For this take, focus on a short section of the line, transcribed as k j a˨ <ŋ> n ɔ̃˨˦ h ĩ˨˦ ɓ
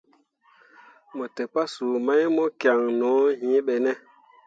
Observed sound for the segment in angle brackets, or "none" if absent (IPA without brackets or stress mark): ŋ